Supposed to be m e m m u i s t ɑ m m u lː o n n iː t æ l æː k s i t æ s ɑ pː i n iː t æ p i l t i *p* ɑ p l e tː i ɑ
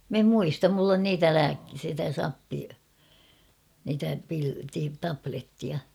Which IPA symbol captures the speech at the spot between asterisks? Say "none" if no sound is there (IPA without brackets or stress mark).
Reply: t